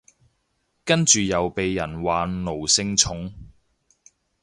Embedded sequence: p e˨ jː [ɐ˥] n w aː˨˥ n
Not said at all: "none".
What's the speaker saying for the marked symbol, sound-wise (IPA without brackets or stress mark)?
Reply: ɐ˨˩